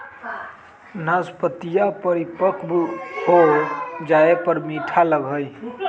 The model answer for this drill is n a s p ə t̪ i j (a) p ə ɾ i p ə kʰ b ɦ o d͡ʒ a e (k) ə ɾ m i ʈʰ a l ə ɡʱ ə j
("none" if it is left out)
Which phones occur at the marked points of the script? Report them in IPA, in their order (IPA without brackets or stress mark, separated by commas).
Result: a, p